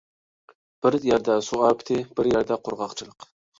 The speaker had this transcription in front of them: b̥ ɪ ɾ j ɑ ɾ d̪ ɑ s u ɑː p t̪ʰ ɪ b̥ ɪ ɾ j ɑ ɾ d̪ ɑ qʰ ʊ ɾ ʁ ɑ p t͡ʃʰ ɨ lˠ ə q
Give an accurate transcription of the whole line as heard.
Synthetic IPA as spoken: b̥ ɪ ɾ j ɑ ɾ d̪ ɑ s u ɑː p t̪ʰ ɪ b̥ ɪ ɾ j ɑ ɾ d̪ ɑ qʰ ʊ ɾ ʁ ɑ q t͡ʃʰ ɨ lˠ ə q